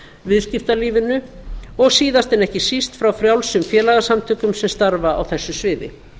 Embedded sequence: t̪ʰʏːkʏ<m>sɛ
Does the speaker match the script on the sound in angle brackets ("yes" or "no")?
yes